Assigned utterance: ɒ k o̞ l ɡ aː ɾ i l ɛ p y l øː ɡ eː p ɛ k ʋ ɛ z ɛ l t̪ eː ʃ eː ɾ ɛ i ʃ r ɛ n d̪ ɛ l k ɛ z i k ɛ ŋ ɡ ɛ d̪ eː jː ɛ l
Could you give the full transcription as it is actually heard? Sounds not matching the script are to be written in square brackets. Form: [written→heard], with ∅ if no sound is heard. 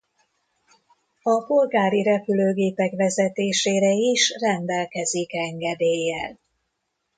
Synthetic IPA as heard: ɒ [k→p] o̞ l ɡ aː ɾ i [l→ɾ] ɛ p y l øː ɡ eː p ɛ k ʋ ɛ z ɛ [l→∅] t̪ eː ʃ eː ɾ ɛ i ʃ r ɛ n d̪ ɛ l k ɛ z i k ɛ ŋ ɡ ɛ d̪ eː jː ɛ l

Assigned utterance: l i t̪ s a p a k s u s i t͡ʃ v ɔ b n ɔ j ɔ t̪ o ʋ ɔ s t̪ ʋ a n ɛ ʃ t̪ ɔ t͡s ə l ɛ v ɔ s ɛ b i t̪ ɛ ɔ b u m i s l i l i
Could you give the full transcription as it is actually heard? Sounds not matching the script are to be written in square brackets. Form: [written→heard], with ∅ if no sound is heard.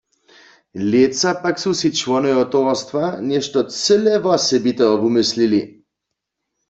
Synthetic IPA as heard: l [i→e] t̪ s a p a k s u s i t͡ʃ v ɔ [b→∅] n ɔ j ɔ t̪ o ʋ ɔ s t̪ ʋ a n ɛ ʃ t̪ ɔ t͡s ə l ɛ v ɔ s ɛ b i t̪ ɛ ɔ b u m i s l i l i

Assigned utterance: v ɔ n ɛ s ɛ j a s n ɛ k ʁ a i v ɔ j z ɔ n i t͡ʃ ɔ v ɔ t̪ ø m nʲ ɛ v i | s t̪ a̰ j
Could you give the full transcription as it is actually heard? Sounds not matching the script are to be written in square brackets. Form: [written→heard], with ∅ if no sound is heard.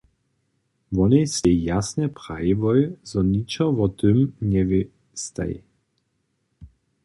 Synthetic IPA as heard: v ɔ n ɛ s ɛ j a s n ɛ [k→p] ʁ a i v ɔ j z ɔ n i t͡ʃ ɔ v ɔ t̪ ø m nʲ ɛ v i | s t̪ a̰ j

